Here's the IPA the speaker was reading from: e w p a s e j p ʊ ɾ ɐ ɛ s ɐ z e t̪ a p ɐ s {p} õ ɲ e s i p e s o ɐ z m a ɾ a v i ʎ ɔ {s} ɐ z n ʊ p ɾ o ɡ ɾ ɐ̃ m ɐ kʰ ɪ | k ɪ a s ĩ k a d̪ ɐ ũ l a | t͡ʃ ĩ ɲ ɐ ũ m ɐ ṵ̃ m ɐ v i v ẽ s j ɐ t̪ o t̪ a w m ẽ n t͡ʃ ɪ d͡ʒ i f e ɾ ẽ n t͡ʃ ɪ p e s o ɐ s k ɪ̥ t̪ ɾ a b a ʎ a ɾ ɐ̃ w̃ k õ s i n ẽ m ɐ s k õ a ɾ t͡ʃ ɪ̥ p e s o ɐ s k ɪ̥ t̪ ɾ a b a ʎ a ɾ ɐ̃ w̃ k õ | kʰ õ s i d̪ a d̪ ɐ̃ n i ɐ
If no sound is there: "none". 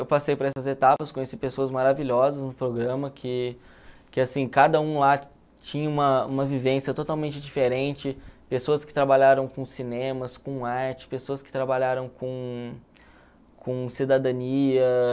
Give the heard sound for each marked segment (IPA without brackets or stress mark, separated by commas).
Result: k, z